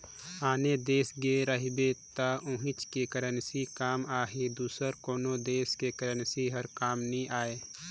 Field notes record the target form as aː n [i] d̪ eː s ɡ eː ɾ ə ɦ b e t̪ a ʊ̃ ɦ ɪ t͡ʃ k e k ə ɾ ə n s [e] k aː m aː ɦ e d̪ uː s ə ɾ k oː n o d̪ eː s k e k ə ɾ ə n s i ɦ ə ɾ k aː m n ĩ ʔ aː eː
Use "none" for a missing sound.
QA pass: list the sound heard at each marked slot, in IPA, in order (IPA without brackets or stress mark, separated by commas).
e, i